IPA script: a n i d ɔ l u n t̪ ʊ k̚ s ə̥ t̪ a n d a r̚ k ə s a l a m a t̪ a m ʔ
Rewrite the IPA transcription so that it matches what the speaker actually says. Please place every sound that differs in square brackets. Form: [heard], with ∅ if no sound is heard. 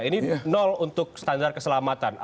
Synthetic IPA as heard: [i] n i [n] ɔ l u n t̪ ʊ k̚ s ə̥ t̪ a n d a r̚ k ə s [ə] l a m a t̪ a [n] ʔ